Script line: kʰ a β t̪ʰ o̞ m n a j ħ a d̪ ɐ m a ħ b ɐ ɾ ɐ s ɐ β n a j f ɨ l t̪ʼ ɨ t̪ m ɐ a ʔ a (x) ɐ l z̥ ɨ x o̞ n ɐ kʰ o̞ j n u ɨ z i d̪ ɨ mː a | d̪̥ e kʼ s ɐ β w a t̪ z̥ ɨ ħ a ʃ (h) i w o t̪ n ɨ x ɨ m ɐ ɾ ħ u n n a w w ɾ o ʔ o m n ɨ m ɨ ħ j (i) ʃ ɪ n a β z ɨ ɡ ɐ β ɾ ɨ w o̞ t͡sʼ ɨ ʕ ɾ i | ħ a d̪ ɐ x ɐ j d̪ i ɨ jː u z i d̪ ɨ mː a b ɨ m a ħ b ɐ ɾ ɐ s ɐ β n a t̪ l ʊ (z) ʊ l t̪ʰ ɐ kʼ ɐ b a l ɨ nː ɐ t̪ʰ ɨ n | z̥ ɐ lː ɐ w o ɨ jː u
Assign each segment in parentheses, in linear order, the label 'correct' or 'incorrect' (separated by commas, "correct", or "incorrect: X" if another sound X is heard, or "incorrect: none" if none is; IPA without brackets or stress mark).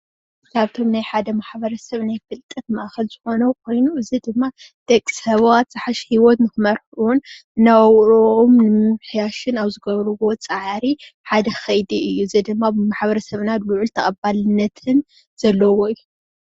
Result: correct, correct, incorrect: a, incorrect: ʕ